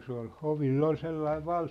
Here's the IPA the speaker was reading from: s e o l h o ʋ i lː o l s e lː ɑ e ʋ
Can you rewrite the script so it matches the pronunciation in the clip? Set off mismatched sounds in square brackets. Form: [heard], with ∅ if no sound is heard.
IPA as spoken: s e o l h o ʋ i lː o l s e lː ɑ [i] ʋ